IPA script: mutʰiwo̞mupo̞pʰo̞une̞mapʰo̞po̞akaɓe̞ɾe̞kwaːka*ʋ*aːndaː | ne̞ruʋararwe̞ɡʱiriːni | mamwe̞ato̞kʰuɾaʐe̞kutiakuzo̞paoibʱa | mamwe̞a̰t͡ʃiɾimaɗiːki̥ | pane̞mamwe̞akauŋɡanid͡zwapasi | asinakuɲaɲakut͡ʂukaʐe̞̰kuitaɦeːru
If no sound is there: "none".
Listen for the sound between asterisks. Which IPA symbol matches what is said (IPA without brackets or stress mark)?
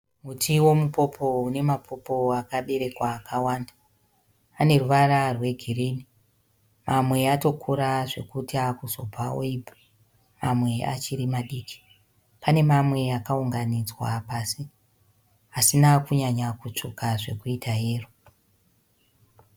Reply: w